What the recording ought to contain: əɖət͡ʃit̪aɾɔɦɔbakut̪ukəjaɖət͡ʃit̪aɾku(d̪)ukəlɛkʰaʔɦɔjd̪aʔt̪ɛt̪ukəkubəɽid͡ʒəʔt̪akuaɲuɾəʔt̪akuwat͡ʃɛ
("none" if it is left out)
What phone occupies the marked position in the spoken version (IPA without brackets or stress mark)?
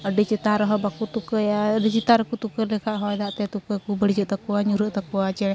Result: t̪